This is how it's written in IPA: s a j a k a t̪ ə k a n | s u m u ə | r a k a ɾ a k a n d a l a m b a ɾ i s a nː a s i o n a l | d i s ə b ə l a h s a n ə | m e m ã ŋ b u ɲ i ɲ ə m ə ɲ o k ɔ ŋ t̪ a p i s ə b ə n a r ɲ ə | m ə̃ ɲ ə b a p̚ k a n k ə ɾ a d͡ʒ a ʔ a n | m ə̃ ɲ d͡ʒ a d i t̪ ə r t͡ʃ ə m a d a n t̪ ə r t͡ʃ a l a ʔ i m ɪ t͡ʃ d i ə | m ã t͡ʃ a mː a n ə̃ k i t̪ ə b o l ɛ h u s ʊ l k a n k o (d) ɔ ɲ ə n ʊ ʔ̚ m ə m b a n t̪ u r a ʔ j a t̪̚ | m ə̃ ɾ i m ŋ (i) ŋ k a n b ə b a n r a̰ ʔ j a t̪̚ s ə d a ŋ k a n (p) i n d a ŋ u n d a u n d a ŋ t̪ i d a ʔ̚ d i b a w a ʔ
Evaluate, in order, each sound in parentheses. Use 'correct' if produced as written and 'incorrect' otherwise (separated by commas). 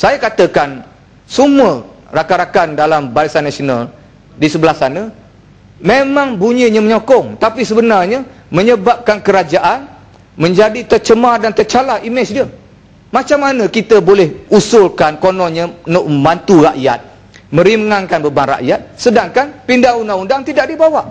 incorrect, incorrect, correct